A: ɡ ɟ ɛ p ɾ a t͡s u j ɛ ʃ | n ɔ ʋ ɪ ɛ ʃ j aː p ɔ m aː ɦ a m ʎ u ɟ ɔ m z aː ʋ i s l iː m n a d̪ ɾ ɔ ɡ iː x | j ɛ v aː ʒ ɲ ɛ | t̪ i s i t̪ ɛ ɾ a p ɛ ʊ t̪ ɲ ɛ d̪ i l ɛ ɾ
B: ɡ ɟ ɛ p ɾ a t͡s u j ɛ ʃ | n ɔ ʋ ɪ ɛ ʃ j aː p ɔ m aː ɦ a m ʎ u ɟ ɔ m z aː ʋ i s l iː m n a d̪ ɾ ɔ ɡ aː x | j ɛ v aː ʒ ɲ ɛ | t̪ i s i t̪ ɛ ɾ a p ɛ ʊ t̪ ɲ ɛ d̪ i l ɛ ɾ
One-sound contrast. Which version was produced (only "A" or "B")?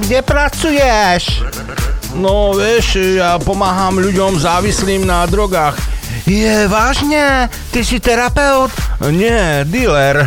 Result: B